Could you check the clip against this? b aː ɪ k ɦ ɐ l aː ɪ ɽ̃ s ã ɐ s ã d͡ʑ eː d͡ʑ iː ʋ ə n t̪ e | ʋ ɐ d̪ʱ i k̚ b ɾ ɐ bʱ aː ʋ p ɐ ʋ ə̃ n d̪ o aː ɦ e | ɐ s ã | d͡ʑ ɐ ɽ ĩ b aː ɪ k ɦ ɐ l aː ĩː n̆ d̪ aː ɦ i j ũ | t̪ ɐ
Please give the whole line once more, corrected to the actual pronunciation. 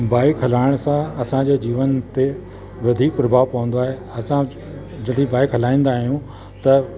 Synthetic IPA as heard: b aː ɪ k ɦ ɐ l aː ɪ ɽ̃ s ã ɐ s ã d͡ʑ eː d͡ʑ iː ʋ ə n t̪ e | ʋ ɐ d̪ʱ iː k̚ p ɾ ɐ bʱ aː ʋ p ɐ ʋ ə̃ n d̪ o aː ɦ e | ɐ s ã | d͡ʑ ɐ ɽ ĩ b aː ɪ k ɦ ɐ l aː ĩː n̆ d̪ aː ɦ i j ũ | t̪ ɐ